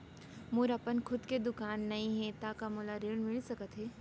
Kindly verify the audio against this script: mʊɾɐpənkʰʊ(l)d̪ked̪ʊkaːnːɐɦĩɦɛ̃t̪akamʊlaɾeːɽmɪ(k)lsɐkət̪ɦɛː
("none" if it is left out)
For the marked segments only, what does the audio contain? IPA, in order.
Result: none, none

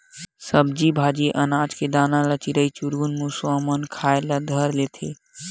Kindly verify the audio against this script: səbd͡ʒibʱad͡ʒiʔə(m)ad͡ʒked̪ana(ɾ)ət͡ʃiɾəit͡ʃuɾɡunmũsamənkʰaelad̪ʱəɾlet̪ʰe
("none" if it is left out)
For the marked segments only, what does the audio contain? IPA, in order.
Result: n, l

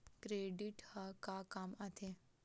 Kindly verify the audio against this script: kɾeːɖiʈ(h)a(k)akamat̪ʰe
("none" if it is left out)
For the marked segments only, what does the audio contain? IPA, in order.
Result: h, k

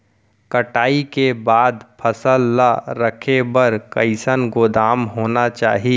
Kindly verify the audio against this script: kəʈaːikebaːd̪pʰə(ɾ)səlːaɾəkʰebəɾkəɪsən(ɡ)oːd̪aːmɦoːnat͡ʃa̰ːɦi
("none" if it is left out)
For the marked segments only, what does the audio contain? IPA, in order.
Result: none, ɡ

